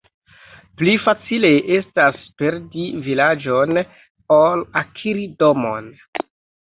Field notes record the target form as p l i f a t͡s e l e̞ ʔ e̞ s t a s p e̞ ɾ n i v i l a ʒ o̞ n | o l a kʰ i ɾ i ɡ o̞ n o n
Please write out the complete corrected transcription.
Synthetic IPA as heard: p l i f a t͡s i l e̞ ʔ e̞ s t a s p e̞ ɾ d i v i l a d͡ʒ o̞ n | o l a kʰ i ɾ i d o̞ m o n

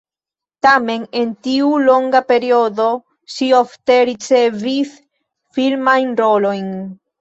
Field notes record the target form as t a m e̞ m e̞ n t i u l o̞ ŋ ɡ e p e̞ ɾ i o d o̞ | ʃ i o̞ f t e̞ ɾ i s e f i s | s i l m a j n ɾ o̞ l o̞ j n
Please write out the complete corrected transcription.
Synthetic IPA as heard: t a m e̞ n e̞ n t i u l o̞ ŋ ɡ a p e̞ ɾ i o d o̞ | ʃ i o̞ f t e̞ ɾ i t͡s e v i s | f i l m a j n ɾ o̞ l o̞ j n

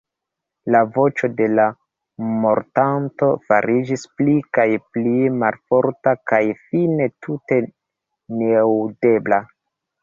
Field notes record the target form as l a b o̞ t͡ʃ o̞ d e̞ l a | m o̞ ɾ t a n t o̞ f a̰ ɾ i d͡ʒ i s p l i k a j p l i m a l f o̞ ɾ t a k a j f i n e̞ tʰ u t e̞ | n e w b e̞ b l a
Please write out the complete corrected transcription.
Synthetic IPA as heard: l a v o̞ t͡ʃ o̞ d e̞ l a | m o̞ ɾ t a n t o̞ f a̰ ɾ i d͡ʒ i s p l i k a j p l i m a l f o̞ ɾ t a k a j f i n e̞ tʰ u t e̞ | n e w d e̞ b l a

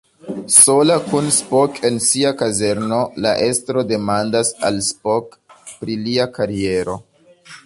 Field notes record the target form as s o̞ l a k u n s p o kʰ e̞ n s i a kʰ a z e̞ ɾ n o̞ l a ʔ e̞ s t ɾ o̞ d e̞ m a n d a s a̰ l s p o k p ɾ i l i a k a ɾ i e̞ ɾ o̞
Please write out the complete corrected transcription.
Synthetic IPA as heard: s o̞ l a k u n s p o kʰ e̞ n s i a k a z e̞ ɾ n o̞ l a ʔ e̞ s t ɾ o̞ d e̞ m a n d a s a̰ l s p o k p ɾ i l i a k a ɾ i e̞ ɾ o̞

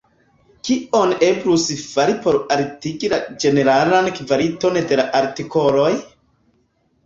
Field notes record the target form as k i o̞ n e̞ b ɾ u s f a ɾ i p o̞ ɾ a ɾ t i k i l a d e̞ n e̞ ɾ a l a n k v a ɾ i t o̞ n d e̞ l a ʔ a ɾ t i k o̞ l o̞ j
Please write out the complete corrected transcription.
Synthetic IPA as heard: k i o̞ n e̞ b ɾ u s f a ɾ i p o̞ ɾ a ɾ t i ɡ i l a d͡ʒ e̞ n e̞ ɾ a l a n k v a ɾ i t o̞ n d e̞ l a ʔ a ɾ t i k o̞ l o̞ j

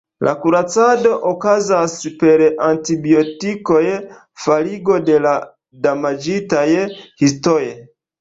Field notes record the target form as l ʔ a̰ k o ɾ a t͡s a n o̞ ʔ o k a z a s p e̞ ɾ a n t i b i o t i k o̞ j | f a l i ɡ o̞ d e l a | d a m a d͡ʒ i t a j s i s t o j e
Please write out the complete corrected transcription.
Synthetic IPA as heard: l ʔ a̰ k u ɾ a t͡s a d o̞ ʔ o k a z a s p e̞ ɾ a n t i b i o t i k o̞ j | f a l i ɡ o̞ d e l a | d a m a d͡ʒ i t a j h i s t o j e

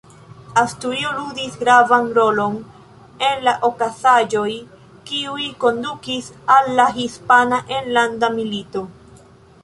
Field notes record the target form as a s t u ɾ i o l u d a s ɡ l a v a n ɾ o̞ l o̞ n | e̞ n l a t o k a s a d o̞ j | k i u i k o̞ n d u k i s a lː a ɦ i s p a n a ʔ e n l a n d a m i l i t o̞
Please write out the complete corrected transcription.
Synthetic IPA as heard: a s t u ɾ i o l u d i s ɡ ɾ a v a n ɾ o̞ l o̞ n | e̞ n l a ʔ o k a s a d͡ʒ o̞ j | k i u i k o̞ n d u k i s a lː a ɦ i s p a n a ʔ e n l a n d a m i l i t o̞

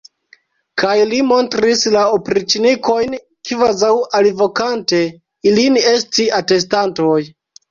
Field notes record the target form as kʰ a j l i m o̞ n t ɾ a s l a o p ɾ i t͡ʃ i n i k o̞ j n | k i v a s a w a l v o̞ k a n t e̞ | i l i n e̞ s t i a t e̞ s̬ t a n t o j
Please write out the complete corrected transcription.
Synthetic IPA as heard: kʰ a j l i m o̞ n t ɾ i s l a o p ɾ i t͡ʃ i n i k o̞ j n | k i v a z a w a l v o̞ k a n t e̞ | i l i n e̞ s t i a t e̞ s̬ t a n t o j

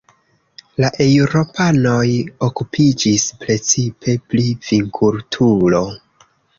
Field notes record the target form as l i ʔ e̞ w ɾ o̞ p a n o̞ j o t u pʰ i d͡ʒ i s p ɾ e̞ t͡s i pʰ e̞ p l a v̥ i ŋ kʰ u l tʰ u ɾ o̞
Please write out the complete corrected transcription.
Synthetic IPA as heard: l a ʔ e̞ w ɾ o̞ p a n o̞ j o k u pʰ i d͡ʒ i s p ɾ e̞ t͡s i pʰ e̞ p l i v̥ i ŋ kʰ u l tʰ u l o̞

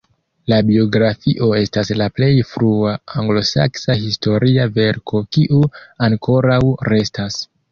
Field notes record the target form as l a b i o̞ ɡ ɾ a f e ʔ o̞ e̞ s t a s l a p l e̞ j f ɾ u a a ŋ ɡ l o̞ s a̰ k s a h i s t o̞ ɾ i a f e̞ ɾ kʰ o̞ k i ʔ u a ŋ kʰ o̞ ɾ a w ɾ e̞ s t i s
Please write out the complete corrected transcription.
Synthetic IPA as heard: l a b i o̞ ɡ ɾ a f i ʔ o̞ e̞ s t a s l a p l e̞ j f ɾ u a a ŋ ɡ l o̞ s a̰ k s a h i s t o̞ ɾ i a v e̞ ɾ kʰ o̞ k i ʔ u a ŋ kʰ o̞ ɾ a w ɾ e̞ s t a s

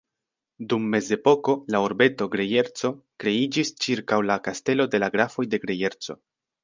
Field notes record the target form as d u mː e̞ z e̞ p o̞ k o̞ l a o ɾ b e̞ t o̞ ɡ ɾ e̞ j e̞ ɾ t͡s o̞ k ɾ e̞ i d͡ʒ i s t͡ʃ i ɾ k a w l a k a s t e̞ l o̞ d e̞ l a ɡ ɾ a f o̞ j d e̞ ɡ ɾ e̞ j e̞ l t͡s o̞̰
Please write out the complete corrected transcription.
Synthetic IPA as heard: d u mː e̞ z e̞ p o̞ k o̞ l a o ɾ b e̞ t o̞ ɡ ɾ e̞ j e̞ ɾ t͡s o̞ k ɾ e̞ i d͡ʒ i s t͡ʃ i ɾ k a w l a k a s t e̞ l o̞ d e̞ l a ɡ ɾ a f o̞ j d e̞ ɡ ɾ e̞ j e̞ ɾ t͡s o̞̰

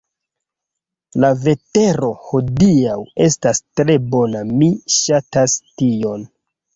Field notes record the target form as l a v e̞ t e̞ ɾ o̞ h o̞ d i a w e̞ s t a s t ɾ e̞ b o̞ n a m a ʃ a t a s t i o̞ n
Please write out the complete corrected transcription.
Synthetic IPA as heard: l a v e̞ t e̞ ɾ o̞ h o̞ d i a w e̞ s t a s t ɾ e̞ b o̞ n a m i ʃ a t a s t i o̞ n

